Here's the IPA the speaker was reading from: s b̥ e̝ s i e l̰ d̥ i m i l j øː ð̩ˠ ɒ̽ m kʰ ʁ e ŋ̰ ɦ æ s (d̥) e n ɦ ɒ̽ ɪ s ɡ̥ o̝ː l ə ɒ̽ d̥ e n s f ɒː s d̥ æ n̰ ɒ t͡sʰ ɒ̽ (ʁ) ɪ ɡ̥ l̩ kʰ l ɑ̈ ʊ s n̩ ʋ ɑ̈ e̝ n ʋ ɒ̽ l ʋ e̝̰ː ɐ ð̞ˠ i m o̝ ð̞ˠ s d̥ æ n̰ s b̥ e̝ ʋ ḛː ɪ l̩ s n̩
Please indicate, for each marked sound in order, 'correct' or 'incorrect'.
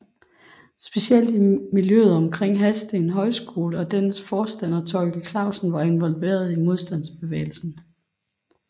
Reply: correct, incorrect

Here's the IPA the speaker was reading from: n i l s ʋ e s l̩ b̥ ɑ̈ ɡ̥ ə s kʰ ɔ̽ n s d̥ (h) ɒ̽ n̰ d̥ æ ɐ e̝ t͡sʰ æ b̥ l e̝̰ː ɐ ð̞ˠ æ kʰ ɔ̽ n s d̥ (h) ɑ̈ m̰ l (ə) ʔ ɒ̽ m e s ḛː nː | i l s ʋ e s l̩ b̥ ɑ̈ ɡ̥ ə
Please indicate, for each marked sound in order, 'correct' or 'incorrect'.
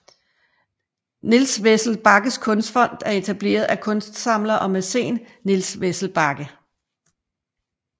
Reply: incorrect, incorrect, incorrect

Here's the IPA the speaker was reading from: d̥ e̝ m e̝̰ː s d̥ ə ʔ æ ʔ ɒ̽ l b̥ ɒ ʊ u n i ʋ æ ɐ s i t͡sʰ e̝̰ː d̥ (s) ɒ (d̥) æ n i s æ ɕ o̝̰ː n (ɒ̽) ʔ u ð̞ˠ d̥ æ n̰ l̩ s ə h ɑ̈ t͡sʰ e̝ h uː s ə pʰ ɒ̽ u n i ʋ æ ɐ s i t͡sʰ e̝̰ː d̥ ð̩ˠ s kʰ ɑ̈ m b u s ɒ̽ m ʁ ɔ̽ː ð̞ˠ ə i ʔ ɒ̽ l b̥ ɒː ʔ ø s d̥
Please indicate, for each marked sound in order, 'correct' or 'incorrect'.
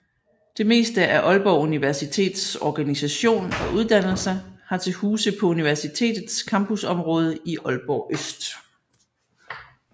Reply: correct, incorrect, correct

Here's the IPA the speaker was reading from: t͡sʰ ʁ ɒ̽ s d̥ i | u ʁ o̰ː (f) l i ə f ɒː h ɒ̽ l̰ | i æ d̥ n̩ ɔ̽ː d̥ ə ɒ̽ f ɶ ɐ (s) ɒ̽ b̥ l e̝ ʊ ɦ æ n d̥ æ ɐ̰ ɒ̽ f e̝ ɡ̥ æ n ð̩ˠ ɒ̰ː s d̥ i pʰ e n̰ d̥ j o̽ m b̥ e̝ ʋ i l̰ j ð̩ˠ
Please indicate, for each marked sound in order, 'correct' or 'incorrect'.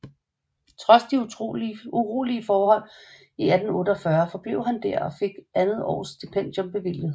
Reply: incorrect, incorrect

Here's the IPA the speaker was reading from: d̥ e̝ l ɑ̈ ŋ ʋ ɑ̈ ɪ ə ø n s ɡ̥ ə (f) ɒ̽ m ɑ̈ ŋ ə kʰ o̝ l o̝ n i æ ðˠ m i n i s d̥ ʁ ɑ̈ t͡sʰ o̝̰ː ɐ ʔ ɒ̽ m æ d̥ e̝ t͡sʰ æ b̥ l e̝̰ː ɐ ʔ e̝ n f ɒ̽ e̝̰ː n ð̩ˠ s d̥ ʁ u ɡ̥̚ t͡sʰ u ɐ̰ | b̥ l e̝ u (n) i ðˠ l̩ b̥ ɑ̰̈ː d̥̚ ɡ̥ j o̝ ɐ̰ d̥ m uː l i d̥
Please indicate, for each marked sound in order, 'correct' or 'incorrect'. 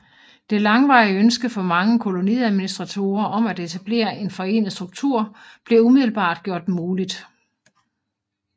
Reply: correct, incorrect

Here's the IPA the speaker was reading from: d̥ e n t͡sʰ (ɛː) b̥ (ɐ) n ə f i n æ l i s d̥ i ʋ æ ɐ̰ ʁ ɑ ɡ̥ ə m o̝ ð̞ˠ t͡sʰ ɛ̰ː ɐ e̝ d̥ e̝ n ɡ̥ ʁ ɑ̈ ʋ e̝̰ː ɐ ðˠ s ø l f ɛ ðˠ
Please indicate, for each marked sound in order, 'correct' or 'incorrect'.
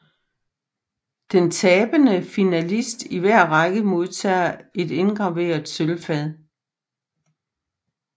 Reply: correct, incorrect

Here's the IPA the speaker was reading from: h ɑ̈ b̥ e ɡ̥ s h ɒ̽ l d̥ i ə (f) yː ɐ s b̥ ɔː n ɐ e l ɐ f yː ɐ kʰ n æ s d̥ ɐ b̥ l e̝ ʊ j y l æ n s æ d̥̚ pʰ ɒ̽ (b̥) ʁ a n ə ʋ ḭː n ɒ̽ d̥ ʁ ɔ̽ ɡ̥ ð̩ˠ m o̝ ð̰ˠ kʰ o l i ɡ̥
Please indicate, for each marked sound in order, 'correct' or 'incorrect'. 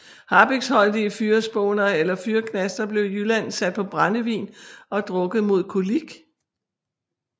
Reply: correct, correct

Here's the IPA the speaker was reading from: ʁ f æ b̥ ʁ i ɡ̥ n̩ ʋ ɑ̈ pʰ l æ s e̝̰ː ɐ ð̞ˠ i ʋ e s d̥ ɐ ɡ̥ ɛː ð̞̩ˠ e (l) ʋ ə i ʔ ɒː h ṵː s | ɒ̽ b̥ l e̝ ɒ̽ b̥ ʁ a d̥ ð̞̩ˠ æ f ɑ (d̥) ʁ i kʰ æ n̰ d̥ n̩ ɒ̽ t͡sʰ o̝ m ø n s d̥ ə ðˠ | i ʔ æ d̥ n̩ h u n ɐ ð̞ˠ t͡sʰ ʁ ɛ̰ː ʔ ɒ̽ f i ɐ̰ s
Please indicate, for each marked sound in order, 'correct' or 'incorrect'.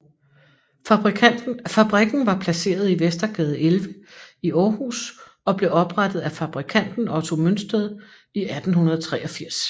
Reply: correct, incorrect

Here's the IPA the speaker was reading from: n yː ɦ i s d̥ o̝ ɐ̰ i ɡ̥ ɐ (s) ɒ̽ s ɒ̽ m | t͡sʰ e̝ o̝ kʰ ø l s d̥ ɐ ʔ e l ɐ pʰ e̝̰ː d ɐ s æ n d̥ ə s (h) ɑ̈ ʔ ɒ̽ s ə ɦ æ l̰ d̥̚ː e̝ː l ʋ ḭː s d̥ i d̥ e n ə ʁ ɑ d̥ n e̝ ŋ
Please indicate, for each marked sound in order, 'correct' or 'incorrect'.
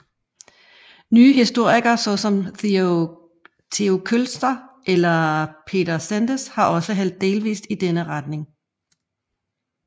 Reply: correct, correct

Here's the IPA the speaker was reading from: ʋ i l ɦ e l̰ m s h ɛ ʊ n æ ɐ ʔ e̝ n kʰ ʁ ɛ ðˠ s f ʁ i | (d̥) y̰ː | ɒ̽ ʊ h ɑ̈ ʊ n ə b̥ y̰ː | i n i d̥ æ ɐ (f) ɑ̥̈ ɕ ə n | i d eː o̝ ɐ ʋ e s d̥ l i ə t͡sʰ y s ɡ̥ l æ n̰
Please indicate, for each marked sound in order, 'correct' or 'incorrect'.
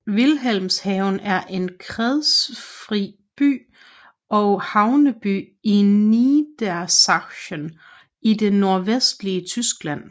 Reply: incorrect, incorrect

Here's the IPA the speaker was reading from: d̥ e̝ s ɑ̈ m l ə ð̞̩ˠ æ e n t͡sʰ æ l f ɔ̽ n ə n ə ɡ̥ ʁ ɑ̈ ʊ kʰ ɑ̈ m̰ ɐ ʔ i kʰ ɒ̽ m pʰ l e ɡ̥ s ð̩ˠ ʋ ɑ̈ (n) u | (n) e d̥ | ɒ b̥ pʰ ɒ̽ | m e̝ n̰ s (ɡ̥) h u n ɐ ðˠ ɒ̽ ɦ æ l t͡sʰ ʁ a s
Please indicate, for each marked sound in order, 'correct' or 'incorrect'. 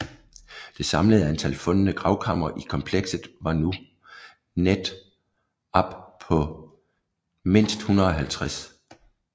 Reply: correct, correct, incorrect

